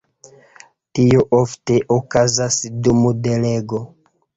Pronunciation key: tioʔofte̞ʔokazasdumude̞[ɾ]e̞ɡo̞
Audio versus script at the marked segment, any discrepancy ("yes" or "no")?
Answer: yes